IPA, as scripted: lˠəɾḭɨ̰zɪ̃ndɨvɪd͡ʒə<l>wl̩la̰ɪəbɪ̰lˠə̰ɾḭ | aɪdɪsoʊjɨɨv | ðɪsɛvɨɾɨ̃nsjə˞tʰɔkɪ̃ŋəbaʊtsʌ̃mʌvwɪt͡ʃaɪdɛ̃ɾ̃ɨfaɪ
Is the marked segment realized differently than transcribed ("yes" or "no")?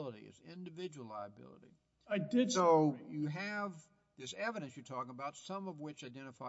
yes